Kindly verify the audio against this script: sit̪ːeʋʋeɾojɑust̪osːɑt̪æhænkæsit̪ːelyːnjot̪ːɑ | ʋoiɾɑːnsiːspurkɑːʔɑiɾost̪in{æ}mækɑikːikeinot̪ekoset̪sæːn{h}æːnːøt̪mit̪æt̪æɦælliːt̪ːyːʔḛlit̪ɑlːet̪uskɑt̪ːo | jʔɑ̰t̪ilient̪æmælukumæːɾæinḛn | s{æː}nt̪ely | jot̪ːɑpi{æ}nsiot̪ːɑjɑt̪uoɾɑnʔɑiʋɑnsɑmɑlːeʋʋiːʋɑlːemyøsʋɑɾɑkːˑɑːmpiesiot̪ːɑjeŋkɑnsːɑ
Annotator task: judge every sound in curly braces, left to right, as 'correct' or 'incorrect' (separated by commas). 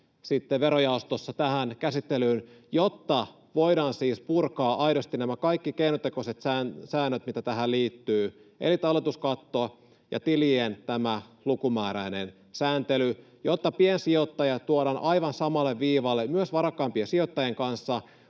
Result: correct, incorrect, correct, incorrect